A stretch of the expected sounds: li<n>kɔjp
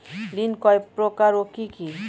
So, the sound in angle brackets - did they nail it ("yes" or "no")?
yes